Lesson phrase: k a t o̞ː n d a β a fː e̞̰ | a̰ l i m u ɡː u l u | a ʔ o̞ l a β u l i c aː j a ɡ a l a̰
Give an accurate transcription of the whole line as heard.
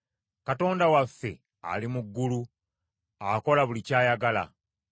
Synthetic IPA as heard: k a t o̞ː n d a w a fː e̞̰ | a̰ l i m u ɡː u l u | a k o̞ l a β u l i c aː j a ɡ a l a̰